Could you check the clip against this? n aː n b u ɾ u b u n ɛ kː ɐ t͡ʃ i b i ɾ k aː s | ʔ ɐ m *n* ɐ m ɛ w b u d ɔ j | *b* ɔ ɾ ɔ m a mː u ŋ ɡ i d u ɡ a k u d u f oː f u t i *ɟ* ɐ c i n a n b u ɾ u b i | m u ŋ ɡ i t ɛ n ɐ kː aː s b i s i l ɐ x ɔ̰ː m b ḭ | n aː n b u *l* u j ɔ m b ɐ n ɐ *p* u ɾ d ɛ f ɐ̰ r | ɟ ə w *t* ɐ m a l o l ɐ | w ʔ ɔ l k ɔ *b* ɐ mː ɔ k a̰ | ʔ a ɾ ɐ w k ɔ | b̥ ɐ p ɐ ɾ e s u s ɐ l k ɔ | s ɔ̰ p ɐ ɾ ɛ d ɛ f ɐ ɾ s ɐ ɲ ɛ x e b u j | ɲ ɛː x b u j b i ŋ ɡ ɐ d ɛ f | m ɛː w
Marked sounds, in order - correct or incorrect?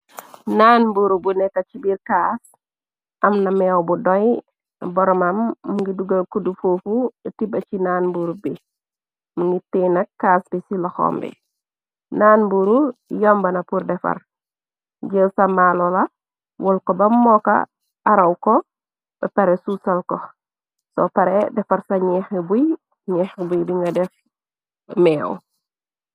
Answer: correct, correct, incorrect, incorrect, correct, incorrect, correct

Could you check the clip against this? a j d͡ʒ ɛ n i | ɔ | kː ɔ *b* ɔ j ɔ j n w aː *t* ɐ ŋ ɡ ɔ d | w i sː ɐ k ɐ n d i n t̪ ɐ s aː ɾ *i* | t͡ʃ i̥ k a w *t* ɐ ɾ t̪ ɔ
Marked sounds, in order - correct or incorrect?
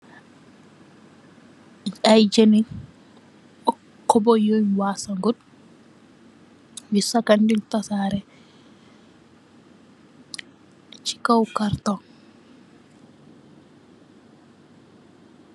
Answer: correct, incorrect, incorrect, incorrect

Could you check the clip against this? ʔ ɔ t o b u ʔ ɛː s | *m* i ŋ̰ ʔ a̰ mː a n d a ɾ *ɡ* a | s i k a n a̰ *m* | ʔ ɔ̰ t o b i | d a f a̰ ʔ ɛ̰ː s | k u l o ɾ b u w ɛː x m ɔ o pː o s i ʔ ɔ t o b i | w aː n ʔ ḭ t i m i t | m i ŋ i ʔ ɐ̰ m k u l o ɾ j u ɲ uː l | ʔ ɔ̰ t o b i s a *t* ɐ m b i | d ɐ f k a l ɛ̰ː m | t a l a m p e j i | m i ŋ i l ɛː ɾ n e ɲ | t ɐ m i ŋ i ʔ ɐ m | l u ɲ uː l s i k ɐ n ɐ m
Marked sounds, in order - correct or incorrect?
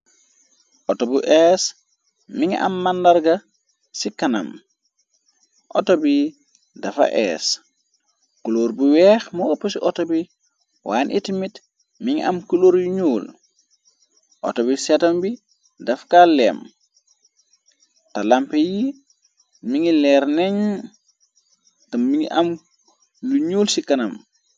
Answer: correct, correct, correct, correct

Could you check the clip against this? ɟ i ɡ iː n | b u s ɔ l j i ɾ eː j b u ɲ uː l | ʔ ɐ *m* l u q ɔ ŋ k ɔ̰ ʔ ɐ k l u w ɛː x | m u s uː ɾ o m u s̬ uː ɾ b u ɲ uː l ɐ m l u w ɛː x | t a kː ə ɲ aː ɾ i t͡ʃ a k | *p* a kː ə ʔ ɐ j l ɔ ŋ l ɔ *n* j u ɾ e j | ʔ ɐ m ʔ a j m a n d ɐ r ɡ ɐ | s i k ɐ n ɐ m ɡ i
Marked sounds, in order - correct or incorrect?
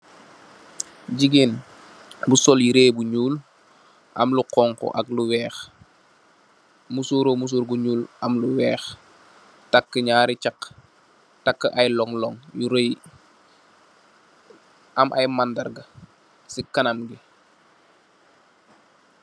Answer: correct, incorrect, incorrect

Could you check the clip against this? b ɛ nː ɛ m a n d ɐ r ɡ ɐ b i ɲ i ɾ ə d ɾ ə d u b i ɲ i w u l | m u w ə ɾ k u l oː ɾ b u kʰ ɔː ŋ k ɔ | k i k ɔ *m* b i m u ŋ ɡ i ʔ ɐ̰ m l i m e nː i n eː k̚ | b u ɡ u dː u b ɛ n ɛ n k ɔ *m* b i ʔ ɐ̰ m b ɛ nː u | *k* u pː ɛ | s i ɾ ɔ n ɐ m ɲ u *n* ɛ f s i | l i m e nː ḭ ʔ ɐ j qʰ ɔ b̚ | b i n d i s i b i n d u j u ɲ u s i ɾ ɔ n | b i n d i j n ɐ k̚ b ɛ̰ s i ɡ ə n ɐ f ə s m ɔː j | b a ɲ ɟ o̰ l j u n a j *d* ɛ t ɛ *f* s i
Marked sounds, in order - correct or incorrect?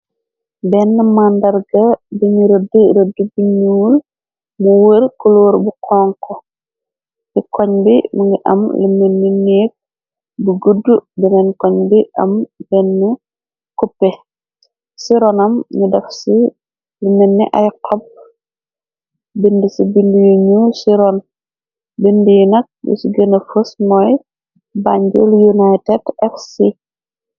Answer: incorrect, incorrect, correct, incorrect, incorrect, correct

